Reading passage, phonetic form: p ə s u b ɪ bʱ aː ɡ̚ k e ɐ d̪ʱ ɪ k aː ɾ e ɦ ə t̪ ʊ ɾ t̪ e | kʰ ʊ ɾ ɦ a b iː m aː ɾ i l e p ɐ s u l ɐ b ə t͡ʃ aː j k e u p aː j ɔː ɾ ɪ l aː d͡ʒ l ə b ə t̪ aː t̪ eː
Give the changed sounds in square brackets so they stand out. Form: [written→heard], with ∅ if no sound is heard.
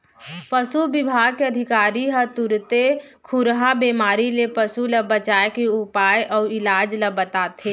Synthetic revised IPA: p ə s u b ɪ bʱ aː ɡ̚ k e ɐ d̪ʱ ɪ k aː ɾ [e→i] ɦ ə t̪ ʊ ɾ t̪ e | kʰ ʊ ɾ ɦ a b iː m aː ɾ i l e p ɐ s u l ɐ b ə t͡ʃ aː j k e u p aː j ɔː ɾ ɪ l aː d͡ʒ l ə b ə t̪ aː t̪ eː